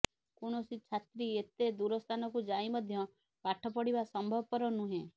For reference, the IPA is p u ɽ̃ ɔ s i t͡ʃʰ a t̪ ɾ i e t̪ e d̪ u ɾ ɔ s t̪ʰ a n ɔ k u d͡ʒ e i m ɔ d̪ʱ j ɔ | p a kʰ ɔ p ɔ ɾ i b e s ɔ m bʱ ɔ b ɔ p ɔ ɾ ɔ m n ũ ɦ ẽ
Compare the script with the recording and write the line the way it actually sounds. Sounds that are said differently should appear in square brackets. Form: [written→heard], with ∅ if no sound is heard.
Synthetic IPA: [p→k] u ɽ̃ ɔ s i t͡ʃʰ a t̪ ɾ i e t̪ e d̪ u ɾ ɔ s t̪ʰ a n ɔ k u d͡ʒ [e→a] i m ɔ d̪ʱ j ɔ | p a [kʰ→ʈʰ] ɔ p ɔ [ɾ→ɽ] i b [e→a] s ɔ m bʱ ɔ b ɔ p ɔ ɾ ɔ [m→∅] n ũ ɦ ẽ